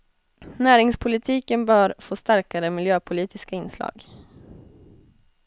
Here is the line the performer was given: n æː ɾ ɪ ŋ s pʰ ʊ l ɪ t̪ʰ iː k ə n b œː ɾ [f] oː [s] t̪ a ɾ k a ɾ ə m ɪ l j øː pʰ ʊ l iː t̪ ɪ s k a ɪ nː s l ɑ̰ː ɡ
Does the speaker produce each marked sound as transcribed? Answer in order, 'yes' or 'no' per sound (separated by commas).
yes, yes